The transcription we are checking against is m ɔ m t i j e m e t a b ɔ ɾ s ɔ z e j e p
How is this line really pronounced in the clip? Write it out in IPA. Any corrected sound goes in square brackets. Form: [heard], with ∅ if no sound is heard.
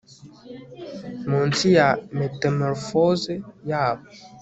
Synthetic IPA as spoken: m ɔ [n] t i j [a] m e t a [m] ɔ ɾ [f] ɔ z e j [a] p

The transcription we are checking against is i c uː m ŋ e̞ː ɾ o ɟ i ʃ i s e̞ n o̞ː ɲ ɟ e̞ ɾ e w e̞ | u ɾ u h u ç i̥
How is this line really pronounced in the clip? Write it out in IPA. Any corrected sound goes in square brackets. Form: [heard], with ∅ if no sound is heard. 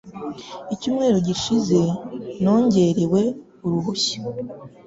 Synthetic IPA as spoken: i c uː m ŋ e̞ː ɾ o ɟ i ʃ i [z] e̞ n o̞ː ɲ ɟ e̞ ɾ e w e̞ | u ɾ u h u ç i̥

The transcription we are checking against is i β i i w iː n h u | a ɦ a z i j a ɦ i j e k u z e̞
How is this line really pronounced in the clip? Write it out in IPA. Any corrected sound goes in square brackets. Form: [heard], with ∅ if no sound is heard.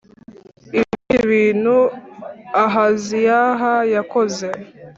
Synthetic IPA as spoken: i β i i [β] iː n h u | a ɦ a z i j a ɦ [a] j [a] k [o] z e̞

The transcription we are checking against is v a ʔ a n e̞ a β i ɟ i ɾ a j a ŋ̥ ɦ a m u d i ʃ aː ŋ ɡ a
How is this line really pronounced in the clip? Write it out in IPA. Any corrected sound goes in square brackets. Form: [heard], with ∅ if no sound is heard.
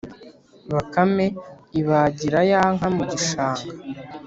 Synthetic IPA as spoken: [β] a [k] a [m] e̞ [i] β [a] ɟ i ɾ a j a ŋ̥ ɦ a m u [ɟ] i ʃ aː ŋ ɡ a

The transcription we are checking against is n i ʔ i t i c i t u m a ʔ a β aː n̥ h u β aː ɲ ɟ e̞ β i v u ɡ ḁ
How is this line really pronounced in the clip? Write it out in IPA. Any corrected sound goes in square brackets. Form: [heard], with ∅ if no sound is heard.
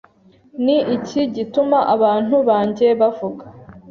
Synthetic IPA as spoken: n i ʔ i [c] i [ɟ] i t u m a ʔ a β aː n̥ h u β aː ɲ ɟ e̞ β [a] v u ɡ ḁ

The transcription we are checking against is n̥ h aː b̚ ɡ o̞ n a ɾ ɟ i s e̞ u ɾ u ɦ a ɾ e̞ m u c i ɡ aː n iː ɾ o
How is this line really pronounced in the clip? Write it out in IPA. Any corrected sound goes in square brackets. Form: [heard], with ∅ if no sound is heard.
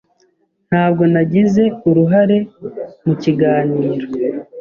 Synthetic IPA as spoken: n̥ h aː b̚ ɡ o̞ n a [∅] ɟ i [z] e̞ u ɾ u ɦ a ɾ e̞ m u c i ɡ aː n iː ɾ o

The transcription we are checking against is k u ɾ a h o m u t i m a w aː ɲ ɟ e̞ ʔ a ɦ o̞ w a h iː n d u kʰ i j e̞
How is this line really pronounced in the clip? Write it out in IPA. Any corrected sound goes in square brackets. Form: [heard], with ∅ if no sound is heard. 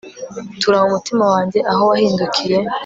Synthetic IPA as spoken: [t] u ɾ a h [u] m u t i m a w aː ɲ ɟ e̞ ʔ a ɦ o̞ w a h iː n d u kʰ i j e̞

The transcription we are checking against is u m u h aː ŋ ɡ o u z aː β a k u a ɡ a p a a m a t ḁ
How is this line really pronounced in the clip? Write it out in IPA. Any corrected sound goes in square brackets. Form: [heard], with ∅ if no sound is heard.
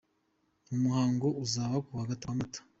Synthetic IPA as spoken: u m u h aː ŋ ɡ o u z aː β a k u a ɡ a [t] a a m a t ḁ

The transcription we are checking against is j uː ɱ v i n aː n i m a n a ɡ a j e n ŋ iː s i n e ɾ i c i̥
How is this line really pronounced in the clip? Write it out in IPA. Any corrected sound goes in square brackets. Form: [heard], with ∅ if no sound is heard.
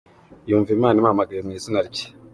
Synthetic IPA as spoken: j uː ɱ v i [m] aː n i m a [m] a ɡ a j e [m] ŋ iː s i n [a] ɾ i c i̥

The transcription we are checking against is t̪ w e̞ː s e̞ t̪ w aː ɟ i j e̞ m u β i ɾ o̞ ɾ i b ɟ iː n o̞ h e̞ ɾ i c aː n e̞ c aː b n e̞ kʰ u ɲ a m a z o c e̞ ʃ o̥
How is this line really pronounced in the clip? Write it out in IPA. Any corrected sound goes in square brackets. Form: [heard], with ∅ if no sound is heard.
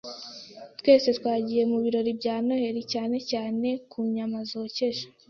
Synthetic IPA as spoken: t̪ w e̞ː s e̞ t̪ w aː ɟ i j e̞ m u β i ɾ o̞ ɾ i b ɟ [aː] n o̞ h e̞ ɾ i c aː n e̞ c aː [∅] n e̞ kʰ u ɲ a m a z o c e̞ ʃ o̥

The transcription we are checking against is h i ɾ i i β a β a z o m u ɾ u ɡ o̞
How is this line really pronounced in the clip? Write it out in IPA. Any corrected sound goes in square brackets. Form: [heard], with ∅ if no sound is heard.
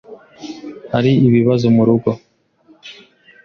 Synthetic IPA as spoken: h [a] ɾ i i β [i] β a z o m u ɾ u ɡ o̞

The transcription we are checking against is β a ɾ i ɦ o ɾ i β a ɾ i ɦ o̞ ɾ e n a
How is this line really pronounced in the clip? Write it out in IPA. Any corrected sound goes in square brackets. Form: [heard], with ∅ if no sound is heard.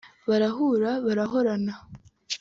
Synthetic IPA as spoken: β a ɾ [a] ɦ [u] ɾ [a] β a ɾ [a] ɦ o̞ ɾ [a] n a

